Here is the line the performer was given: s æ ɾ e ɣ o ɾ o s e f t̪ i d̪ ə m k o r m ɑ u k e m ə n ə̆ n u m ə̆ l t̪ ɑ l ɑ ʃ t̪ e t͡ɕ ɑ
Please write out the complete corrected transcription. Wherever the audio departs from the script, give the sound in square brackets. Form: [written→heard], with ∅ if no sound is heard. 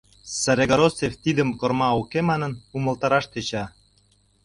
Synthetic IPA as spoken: s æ ɾ e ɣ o ɾ o s e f t̪ i d̪ ə m k o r m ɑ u k e m [ə→ɑ] n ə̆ n u m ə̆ l t̪ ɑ [l→ɾ] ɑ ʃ t̪ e t͡ɕ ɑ